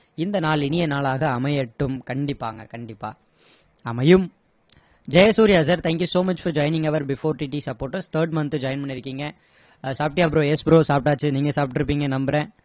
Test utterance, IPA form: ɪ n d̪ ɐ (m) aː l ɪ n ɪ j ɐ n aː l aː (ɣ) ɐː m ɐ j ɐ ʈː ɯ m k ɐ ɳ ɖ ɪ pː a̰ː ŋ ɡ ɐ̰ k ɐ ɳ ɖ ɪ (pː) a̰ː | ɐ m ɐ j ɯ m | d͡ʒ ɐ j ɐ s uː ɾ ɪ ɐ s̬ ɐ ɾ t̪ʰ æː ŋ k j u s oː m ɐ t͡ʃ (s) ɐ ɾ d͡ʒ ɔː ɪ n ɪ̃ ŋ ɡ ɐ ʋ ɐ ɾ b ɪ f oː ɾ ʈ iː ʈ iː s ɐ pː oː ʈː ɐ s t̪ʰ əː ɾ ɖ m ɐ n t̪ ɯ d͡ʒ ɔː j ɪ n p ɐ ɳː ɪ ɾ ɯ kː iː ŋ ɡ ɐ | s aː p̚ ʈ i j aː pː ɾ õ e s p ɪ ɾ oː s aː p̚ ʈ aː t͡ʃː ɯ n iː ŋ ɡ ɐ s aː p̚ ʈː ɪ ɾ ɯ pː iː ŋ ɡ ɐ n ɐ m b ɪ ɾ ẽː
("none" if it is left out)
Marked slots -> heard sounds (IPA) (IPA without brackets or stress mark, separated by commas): n, ɣ, pː, f